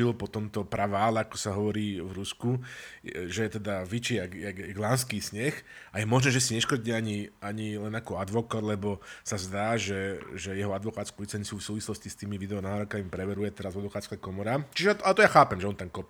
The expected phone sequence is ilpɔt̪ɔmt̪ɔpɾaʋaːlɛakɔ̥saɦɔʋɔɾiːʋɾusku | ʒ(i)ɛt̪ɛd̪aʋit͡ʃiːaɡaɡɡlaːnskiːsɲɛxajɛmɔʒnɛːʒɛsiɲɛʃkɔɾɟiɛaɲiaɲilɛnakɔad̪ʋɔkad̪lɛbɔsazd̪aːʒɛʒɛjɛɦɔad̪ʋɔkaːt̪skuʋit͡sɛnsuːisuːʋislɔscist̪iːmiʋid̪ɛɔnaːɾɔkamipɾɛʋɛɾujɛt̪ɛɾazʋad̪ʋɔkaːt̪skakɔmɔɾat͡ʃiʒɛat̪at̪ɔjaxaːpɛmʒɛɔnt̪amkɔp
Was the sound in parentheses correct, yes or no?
no